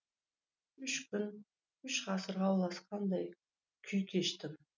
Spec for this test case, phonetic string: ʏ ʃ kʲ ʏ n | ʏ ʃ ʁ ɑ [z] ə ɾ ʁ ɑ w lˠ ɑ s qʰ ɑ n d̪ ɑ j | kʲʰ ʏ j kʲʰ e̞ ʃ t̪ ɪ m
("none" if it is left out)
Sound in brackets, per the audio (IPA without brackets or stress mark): s